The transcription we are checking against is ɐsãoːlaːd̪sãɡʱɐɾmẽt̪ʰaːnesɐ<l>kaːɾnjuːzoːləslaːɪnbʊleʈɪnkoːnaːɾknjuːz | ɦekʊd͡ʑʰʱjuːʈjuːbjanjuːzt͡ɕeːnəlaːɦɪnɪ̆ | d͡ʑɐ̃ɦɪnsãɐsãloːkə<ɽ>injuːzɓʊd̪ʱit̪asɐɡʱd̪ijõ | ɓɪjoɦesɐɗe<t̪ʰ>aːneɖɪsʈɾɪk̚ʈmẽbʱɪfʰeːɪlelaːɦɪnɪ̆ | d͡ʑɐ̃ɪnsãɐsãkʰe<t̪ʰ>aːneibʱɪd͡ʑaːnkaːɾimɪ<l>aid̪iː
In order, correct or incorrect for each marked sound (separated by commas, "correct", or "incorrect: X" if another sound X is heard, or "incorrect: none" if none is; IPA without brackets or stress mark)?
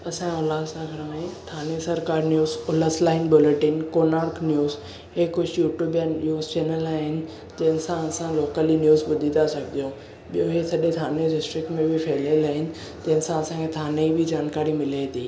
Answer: incorrect: ɾ, incorrect: l, correct, correct, correct